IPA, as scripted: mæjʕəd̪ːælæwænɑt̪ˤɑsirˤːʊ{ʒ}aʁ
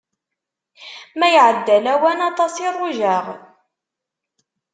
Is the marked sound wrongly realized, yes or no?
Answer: no